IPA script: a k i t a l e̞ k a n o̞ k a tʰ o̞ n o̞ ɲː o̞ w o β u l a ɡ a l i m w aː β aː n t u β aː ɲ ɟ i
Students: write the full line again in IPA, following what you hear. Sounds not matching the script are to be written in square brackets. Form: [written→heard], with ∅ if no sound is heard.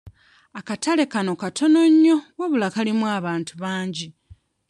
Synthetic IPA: a k [i→a] t a l e̞ k a n o̞ k a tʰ o̞ n o̞ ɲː o̞ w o β u l a [ɡ→k] a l i m w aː β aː n t u β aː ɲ ɟ i